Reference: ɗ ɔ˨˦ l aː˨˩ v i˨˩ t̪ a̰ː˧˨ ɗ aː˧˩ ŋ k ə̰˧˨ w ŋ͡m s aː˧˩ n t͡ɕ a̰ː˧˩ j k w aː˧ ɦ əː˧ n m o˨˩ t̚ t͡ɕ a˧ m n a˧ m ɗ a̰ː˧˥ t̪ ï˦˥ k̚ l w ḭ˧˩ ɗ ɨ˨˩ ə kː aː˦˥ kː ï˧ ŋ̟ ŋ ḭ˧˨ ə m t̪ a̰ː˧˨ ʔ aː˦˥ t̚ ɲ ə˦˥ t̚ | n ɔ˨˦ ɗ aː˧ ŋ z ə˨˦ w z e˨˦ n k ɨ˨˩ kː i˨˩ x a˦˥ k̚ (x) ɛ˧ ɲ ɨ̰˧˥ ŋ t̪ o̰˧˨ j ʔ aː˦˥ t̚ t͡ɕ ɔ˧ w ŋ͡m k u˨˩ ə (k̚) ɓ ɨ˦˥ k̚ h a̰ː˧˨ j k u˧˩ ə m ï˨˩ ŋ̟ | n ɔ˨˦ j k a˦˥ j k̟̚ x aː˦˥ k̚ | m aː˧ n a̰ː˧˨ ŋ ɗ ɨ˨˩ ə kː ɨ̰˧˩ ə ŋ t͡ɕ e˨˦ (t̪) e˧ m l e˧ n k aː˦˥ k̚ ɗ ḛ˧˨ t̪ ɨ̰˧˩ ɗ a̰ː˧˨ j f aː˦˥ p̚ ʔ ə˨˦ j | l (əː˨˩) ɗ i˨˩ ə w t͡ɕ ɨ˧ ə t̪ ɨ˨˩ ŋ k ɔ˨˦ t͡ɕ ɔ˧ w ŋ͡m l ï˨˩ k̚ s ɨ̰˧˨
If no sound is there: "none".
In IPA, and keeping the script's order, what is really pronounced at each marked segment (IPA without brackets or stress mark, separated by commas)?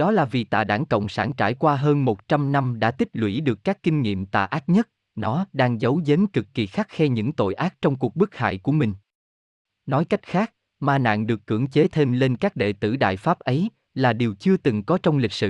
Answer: x, k̚, t̪ʰ, aː˨˩